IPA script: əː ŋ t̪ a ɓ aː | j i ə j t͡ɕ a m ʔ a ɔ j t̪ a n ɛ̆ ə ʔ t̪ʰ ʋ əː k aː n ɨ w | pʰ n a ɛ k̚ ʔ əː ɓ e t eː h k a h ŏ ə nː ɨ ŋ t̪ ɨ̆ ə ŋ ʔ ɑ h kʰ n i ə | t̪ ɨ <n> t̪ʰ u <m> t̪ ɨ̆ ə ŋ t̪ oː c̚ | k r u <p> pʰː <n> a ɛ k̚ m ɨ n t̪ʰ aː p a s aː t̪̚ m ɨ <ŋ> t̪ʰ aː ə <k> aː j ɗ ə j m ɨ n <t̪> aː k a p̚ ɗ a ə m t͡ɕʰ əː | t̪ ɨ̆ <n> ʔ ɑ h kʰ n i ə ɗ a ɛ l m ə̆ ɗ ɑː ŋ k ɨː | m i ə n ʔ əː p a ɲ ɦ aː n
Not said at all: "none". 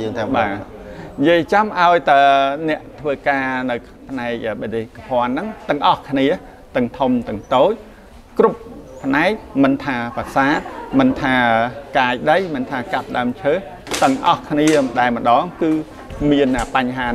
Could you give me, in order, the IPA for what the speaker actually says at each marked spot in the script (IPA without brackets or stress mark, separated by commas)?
ŋ, m, p, n, n, k, t̪ʰ, ŋ